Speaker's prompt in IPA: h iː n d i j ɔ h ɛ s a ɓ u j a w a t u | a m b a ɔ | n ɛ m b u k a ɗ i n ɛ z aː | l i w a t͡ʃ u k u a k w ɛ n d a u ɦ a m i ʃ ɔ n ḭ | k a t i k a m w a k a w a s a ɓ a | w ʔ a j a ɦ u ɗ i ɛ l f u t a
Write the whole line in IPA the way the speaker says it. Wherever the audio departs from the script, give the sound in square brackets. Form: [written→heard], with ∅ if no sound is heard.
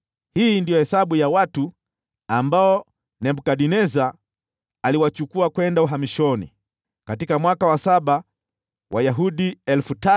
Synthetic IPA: h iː n d i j ɔ h ɛ s a ɓ u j a w a t u | a m b a ɔ | n ɛ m b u k a ɗ i n ɛ z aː | l i w a t͡ʃ u k u a k w ɛ n d a u ɦ a m i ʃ ɔ n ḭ | k a t i k a m w a k a w a s a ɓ a | w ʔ a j a ɦ u ɗ i ɛ l f u t a